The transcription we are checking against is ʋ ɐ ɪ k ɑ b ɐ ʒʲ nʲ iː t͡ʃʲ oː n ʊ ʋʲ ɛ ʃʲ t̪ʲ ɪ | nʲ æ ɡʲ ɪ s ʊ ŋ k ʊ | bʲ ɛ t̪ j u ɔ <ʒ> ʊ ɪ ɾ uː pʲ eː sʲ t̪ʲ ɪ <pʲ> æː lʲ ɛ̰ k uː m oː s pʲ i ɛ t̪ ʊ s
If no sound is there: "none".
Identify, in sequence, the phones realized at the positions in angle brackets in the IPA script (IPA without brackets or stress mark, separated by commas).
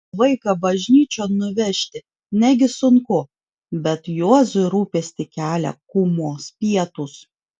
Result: z, kʲ